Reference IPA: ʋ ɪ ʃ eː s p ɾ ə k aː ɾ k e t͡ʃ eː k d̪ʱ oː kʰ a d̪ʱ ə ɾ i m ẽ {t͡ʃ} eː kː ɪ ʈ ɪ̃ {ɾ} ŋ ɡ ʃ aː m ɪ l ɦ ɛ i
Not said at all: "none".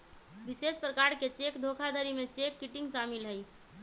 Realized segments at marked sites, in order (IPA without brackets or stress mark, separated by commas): t͡ʃ, none